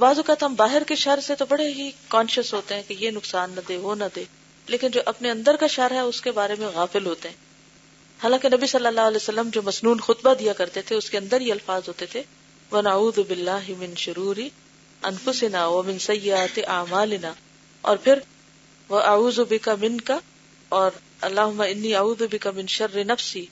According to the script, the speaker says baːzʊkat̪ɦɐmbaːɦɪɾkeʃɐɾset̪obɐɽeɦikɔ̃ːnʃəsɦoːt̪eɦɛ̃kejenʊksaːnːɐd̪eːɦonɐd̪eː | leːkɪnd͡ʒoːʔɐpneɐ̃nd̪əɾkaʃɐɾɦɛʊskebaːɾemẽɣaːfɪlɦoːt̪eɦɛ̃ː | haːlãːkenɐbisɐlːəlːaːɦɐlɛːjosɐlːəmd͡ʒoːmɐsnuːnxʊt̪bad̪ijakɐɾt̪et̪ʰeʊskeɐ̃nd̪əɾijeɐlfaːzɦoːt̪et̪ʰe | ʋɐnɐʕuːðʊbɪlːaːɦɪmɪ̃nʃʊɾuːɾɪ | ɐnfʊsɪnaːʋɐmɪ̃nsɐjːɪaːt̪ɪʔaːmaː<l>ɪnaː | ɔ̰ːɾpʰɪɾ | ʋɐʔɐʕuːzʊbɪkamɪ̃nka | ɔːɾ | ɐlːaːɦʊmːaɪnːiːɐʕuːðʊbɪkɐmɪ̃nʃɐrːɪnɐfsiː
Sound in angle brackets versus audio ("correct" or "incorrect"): correct